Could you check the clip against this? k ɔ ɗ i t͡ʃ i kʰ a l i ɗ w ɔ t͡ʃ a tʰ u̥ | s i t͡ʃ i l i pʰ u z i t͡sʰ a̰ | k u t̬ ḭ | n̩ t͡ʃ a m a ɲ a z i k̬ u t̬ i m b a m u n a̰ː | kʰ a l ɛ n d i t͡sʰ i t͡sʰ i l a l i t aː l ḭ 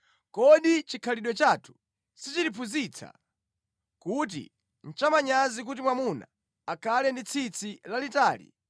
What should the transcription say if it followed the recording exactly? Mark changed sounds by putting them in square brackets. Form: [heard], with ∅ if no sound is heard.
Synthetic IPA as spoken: k ɔ ɗ i t͡ʃ i kʰ a l i ɗ w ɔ t͡ʃ a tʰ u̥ | s i t͡ʃ i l i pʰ u z i t͡sʰ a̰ | k u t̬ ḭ | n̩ t͡ʃ a m a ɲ a z i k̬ u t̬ i m [w] a m u n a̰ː | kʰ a l ɛ n d i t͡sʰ i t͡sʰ i l a l i t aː l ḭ